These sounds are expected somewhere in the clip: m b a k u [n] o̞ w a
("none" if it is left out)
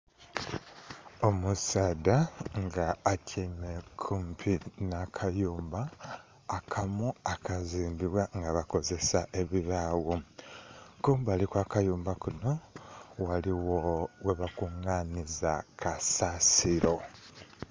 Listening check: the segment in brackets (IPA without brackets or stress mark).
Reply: n